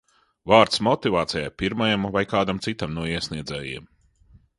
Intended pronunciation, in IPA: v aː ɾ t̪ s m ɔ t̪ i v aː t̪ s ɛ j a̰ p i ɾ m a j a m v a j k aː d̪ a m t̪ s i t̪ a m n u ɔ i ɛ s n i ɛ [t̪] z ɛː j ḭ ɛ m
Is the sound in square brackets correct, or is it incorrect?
incorrect